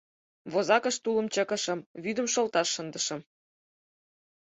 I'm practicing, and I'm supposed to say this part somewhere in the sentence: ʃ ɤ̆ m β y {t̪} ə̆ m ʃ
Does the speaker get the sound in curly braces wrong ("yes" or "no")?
yes